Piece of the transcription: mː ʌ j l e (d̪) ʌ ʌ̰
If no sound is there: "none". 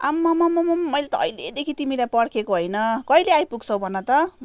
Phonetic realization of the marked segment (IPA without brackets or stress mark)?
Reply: t̪